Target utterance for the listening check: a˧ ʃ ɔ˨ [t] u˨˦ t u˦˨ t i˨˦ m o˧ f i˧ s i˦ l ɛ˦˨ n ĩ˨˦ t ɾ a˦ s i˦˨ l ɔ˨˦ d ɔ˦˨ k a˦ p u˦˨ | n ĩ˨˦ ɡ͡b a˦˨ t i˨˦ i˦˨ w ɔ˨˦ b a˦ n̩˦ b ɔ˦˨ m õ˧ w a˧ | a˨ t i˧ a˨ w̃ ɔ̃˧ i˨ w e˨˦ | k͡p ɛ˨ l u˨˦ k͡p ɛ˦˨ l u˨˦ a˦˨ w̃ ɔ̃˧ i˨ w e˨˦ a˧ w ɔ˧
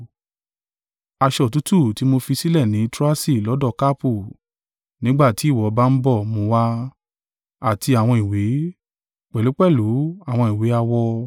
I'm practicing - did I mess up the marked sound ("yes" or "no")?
no